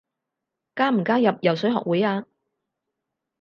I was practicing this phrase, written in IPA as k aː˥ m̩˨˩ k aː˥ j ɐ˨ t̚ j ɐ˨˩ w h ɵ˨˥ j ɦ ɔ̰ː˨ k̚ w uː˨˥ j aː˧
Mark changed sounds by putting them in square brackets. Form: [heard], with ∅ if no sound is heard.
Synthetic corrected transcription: k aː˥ m̩˨˩ k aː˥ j ɐ˨ [p̚] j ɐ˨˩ w [s] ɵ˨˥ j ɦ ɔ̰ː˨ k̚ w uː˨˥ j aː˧